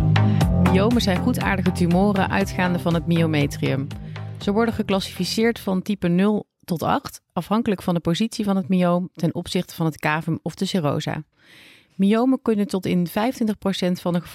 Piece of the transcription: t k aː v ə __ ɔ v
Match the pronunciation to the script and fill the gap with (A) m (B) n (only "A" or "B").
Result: A